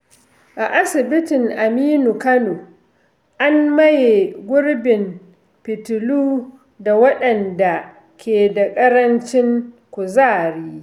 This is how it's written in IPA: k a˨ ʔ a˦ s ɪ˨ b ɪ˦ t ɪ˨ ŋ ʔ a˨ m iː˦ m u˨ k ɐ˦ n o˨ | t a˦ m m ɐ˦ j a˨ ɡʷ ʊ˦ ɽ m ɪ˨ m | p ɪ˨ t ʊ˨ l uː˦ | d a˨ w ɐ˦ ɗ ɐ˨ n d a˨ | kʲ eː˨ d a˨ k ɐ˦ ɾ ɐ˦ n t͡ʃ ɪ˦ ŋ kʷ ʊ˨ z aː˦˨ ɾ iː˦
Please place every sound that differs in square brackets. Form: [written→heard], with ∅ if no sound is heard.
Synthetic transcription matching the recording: [k→ʔ] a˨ ʔ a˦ s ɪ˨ b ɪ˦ t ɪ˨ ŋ ʔ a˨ m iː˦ [m→n] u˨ k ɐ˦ n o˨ | [t→ʔ] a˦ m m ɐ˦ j [a˨→e˨] ɡʷ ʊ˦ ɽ [m→b] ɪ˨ m | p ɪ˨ t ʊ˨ l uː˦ | d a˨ w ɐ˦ ɗ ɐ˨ n d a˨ | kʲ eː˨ d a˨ [k→kʼ] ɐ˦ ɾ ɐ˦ n t͡ʃ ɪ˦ ŋ kʷ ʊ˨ z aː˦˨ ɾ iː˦